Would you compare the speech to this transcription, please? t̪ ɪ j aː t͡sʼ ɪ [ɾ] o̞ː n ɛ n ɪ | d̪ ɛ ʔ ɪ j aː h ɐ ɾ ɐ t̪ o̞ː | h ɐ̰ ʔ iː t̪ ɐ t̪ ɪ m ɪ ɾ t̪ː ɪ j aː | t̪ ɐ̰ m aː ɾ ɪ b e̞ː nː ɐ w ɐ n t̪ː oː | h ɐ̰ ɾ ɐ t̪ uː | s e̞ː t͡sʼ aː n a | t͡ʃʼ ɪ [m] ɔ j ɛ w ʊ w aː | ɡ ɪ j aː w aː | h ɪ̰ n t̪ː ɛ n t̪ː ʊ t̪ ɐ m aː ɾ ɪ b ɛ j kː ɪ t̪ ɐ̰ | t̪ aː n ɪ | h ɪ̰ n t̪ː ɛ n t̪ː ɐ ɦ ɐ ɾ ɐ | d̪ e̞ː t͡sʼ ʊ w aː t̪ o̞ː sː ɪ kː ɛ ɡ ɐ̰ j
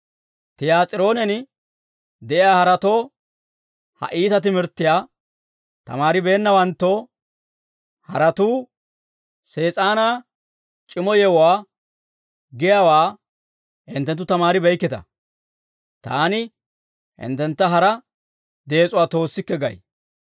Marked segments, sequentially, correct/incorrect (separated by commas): correct, correct